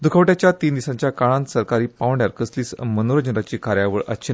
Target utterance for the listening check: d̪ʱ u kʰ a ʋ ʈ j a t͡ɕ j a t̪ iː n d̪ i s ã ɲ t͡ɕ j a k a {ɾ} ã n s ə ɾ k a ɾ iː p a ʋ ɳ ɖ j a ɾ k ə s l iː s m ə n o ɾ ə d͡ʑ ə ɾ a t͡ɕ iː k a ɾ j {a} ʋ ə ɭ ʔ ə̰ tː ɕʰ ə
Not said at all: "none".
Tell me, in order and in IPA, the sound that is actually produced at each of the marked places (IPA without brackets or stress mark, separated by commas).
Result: ɭ, a